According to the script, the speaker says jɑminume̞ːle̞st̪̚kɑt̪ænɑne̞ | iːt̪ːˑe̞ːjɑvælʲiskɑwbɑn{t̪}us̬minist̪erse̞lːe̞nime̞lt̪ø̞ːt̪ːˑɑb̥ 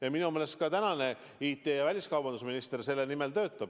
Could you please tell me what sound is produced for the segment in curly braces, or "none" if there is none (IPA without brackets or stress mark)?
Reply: d̪